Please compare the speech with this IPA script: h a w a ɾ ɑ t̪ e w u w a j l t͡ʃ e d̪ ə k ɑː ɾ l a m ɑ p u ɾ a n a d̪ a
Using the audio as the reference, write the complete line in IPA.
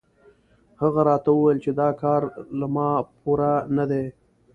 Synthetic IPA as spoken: h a ɣ a ɾ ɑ t̪ a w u w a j l t͡ʃ e d̪ ɑ k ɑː ɾ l a m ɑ p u ɾ a n a d̪ e